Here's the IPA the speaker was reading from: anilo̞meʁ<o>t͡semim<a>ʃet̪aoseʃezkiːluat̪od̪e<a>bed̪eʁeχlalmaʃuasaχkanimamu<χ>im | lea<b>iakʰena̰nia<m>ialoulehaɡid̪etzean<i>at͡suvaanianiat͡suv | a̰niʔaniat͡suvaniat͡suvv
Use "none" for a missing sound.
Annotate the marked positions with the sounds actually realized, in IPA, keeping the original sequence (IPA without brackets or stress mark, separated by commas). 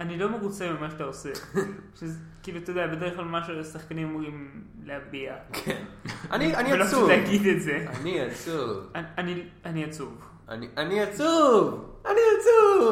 u, a, a, ʁ, b, n, i